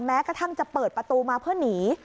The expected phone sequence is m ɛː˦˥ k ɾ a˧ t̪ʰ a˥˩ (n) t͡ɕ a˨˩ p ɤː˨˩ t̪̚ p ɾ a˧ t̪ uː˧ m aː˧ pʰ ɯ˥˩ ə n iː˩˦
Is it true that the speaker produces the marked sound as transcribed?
no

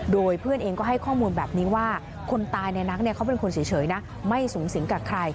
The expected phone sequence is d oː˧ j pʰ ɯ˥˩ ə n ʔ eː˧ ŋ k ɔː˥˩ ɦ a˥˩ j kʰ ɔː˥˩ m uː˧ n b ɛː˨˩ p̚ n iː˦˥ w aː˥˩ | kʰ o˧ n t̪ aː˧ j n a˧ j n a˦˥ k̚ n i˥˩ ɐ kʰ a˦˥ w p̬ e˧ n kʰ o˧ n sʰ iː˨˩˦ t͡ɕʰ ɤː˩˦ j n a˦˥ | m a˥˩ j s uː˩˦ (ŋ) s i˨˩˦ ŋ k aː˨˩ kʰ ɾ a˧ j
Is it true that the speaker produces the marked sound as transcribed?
yes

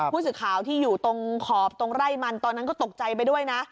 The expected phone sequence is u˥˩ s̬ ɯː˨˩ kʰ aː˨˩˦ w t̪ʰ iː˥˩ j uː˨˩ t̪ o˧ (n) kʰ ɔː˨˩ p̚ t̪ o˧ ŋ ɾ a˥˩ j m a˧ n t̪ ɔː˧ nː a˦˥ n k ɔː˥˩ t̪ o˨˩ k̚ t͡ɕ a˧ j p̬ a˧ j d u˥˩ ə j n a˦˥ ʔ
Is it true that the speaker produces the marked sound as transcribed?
no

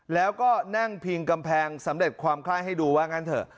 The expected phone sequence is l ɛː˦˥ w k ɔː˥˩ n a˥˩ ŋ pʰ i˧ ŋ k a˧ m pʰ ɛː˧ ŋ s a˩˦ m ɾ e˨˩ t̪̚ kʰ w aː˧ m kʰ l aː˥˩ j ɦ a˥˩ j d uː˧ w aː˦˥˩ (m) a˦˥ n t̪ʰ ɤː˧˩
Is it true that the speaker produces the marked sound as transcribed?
no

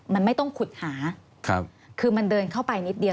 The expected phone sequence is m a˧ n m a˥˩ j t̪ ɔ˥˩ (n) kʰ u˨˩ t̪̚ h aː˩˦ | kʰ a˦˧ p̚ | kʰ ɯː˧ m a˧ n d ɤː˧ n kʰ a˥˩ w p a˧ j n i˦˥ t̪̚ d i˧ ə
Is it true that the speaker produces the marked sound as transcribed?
no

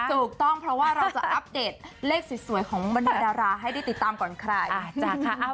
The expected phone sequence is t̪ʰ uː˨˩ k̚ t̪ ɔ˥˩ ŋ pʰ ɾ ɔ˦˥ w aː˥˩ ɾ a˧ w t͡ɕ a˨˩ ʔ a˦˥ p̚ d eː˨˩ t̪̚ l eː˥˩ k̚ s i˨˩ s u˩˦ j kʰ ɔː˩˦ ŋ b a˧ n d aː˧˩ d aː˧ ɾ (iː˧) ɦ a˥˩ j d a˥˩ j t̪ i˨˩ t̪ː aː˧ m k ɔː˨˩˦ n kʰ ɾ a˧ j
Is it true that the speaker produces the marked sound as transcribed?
no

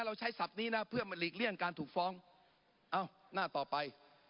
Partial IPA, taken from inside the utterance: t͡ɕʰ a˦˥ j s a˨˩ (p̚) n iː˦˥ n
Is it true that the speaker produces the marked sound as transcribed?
yes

